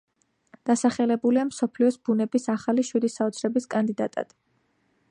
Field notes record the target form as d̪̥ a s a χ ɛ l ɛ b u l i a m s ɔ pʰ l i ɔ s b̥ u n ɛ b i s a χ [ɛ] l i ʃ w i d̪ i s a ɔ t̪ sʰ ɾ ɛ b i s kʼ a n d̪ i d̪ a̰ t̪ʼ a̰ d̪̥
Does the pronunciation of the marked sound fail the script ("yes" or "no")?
yes